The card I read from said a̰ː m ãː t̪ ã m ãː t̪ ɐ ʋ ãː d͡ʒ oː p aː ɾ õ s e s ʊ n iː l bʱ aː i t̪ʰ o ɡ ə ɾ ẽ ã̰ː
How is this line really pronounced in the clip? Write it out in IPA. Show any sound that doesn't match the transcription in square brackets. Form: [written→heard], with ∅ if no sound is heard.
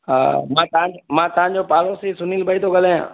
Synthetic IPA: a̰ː m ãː t̪ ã m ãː t̪ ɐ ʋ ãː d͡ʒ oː p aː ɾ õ s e s ʊ n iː l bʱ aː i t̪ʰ o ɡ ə [ɾ→l] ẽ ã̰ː